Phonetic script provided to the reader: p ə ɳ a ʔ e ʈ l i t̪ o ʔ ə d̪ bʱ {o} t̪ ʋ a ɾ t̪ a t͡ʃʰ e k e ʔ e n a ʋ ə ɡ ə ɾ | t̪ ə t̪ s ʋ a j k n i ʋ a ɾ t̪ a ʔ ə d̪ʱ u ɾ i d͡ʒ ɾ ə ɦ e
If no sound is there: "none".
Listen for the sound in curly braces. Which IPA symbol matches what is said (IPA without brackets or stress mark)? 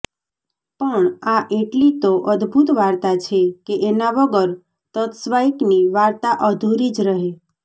u